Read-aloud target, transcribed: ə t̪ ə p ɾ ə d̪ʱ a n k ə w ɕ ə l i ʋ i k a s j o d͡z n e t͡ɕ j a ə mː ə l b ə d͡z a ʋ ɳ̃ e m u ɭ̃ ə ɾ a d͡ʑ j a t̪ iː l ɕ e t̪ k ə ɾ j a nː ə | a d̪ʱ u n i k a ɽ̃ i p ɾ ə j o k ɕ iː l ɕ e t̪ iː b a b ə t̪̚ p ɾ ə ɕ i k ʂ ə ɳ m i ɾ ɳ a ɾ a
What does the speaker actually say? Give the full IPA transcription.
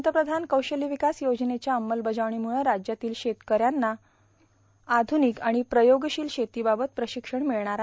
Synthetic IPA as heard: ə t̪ ə p ɾ ə d̪ʱ a n k ə w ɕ ə l i ʋ i k a s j o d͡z n e t͡ɕ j a ə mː ə l b ə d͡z a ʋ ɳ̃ i m u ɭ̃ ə ɾ a d͡ʑ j a t̪ iː l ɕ e t̪ k ə ɾ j a nː a | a d̪ʱ u n i k a ɽ̃ i p ɾ ə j o ɡ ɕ iː l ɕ e t̪ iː b a b ə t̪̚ p ɾ ə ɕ i k ʂ ə ɳ m i ɭ ɳ a ɾ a